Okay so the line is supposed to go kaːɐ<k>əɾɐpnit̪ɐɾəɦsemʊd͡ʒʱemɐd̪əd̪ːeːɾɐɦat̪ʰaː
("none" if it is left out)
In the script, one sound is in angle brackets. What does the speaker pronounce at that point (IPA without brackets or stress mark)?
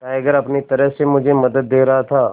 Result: ɡ